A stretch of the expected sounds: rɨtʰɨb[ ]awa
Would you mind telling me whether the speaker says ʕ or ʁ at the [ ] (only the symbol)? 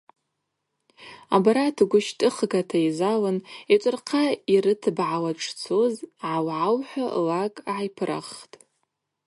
ʕ